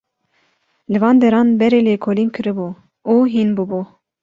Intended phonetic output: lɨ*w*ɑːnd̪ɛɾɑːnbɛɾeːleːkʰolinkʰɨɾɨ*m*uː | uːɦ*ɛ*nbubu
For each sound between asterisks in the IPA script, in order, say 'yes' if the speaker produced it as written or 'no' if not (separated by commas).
no, no, no